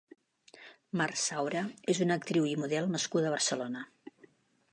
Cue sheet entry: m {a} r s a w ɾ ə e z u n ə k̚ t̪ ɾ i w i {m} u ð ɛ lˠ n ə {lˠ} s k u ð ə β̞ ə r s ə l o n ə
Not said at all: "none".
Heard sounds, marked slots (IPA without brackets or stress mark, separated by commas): a, m, none